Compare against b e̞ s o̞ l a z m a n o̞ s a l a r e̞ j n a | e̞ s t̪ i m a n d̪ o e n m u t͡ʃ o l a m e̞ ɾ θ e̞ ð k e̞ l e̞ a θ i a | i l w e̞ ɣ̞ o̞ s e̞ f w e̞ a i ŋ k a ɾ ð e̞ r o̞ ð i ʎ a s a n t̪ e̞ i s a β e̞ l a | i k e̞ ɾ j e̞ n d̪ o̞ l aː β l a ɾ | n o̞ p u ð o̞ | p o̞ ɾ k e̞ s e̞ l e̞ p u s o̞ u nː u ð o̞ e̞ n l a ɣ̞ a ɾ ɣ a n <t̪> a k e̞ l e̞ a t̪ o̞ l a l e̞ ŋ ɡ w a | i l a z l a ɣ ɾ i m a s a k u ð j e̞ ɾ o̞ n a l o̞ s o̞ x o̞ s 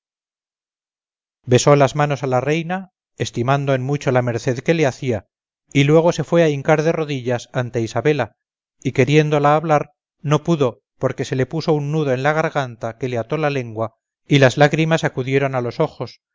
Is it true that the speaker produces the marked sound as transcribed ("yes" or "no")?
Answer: yes